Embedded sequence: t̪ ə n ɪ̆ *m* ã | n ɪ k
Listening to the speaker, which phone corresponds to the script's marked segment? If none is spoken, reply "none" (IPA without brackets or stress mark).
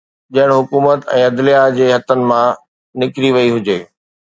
m